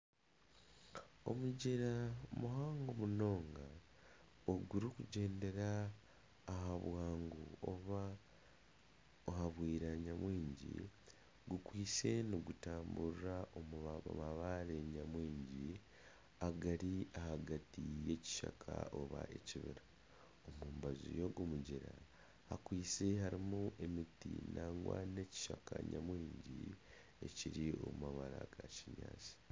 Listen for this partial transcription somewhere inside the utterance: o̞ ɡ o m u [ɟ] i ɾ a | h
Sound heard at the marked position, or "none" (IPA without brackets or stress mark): ɟ